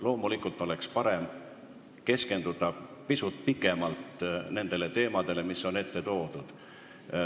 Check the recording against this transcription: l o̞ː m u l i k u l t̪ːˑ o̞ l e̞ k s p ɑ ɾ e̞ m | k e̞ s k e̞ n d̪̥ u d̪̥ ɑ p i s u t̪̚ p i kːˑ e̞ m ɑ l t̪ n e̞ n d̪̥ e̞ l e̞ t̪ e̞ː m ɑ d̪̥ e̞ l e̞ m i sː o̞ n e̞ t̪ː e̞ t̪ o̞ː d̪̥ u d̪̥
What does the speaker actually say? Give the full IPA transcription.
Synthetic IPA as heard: l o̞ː m u l i k u l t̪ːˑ o̞ l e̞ k s p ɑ ɾ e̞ m | k e̞ s k e̞ n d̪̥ u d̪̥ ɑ p i s u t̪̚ p i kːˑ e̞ m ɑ l t̪ n e̞ n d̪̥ e̞ l e̞ t̪ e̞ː m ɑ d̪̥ e̞ l e̞ m i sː o̞ n e̞ t̪ː e̞ t̪ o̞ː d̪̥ u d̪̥